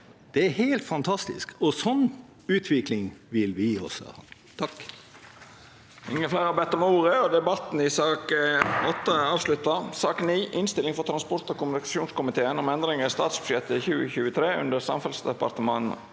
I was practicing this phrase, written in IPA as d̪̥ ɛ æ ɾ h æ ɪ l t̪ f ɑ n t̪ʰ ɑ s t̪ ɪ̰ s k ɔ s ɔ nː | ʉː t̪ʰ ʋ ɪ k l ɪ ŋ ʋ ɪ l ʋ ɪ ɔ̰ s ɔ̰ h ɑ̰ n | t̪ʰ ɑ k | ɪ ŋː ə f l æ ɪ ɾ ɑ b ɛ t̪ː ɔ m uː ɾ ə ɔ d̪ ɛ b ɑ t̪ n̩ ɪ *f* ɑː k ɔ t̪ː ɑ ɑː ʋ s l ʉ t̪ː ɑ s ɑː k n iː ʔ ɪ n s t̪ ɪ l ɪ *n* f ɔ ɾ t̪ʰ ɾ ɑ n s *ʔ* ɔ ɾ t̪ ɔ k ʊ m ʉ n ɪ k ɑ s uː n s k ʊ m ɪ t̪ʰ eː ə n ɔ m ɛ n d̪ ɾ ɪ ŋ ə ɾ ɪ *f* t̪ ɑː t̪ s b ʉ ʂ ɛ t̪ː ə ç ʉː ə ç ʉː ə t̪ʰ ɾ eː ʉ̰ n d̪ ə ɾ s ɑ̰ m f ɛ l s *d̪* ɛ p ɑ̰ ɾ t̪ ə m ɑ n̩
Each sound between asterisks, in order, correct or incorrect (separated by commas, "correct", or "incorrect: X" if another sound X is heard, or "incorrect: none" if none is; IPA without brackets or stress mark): incorrect: s, incorrect: ŋ, incorrect: p, incorrect: s, correct